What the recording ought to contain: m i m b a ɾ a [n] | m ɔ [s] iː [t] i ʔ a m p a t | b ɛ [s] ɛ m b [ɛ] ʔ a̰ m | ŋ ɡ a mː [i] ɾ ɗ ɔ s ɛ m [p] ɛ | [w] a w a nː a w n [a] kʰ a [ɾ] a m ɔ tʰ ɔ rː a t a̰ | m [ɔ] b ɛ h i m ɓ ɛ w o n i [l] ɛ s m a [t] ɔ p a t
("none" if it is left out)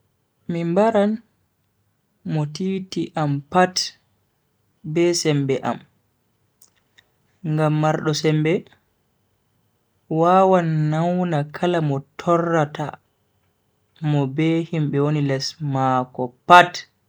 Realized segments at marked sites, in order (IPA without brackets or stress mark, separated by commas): n, t, t, s, ɛ, a, b, w, a, l, ɔ, l, k